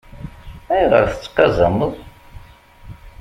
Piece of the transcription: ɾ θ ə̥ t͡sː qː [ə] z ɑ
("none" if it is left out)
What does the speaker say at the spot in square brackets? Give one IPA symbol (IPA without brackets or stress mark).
ɑ